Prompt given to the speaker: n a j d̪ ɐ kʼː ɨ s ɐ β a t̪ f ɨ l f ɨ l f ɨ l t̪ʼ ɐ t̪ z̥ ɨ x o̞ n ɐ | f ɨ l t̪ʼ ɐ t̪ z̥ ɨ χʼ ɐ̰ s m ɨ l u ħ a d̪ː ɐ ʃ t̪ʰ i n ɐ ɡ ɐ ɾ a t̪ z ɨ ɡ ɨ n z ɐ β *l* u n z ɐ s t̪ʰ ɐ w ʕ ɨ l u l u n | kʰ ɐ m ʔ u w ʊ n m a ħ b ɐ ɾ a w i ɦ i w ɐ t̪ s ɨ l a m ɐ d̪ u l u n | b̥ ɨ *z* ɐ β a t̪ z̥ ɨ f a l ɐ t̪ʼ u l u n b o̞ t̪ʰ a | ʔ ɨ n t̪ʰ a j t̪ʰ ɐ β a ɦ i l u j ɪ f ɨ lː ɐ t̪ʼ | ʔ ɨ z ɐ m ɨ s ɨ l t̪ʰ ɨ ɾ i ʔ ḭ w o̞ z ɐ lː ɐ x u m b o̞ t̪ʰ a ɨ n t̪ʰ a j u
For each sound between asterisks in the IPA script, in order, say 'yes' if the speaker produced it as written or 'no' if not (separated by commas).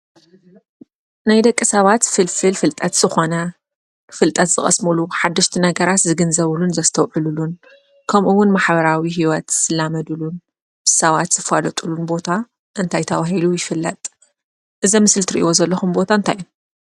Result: yes, no